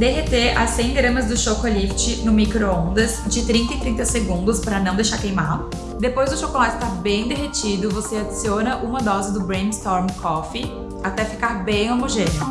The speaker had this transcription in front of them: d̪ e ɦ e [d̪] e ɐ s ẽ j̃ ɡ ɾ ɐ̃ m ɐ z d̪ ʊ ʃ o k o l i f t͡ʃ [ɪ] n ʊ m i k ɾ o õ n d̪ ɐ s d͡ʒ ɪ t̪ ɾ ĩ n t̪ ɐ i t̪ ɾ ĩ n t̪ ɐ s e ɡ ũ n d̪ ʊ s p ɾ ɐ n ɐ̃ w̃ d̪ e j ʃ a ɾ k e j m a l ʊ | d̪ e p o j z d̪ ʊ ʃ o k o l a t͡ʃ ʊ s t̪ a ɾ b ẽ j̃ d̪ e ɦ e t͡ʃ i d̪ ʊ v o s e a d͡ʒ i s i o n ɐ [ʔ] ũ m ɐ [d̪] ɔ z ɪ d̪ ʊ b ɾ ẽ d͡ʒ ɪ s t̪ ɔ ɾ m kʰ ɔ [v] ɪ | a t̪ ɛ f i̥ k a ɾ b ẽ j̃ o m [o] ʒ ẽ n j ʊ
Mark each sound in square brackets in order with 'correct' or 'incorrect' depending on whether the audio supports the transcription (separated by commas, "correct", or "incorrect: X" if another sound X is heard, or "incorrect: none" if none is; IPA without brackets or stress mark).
incorrect: t̪, correct, correct, correct, incorrect: f, correct